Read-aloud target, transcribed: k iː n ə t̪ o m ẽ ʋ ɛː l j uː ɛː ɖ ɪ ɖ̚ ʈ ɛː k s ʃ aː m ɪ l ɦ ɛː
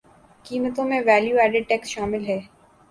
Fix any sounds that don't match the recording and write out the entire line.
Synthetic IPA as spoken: k iː m ə t̪ õ m ẽ ʋ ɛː l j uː ɛː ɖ ɪ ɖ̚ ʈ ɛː k s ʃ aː m ɪ l ɦ ɛː